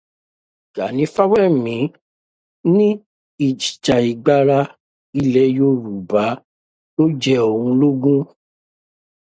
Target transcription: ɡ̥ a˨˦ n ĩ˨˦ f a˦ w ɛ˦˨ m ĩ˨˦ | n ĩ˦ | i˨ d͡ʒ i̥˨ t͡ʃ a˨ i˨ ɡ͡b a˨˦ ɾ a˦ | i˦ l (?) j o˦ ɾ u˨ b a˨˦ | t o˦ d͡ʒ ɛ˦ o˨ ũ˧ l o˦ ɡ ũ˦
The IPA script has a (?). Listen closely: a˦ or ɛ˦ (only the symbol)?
ɛ˦